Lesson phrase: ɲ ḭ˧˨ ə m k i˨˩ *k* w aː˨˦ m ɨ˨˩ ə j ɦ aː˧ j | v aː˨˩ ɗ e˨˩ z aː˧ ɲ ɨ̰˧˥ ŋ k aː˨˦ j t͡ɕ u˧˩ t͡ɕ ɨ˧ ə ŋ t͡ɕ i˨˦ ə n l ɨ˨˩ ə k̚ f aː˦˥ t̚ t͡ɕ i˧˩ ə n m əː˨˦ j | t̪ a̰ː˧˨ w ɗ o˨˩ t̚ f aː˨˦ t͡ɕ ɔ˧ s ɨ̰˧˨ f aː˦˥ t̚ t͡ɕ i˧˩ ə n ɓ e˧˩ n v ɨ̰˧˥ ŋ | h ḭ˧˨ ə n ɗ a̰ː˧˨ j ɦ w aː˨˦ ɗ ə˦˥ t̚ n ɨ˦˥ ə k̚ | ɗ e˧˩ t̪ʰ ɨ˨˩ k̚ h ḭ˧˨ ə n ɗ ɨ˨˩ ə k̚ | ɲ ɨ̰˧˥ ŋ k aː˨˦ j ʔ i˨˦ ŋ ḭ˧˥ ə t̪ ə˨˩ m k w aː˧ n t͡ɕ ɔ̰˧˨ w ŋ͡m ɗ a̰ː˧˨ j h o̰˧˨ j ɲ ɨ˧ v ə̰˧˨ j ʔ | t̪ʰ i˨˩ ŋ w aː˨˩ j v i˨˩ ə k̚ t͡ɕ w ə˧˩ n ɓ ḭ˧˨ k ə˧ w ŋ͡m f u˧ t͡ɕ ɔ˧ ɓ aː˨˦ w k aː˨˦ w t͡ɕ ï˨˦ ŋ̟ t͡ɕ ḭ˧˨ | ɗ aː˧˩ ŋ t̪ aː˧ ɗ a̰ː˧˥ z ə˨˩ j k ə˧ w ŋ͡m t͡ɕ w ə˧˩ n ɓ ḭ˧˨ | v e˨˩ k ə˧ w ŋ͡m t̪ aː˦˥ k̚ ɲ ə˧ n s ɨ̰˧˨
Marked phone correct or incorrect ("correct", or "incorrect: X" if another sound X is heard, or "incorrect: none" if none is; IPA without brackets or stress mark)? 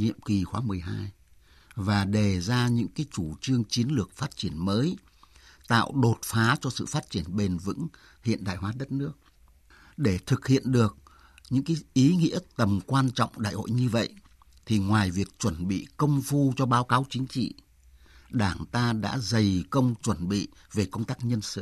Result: incorrect: x